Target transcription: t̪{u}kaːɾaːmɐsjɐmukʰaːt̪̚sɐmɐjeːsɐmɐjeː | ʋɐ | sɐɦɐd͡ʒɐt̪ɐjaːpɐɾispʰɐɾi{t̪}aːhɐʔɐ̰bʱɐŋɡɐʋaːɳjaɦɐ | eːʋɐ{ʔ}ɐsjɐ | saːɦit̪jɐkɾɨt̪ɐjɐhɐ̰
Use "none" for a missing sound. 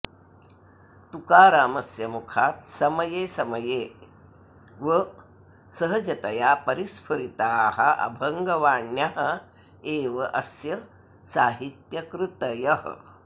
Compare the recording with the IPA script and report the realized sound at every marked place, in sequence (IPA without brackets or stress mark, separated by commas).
u, t̪, ʔ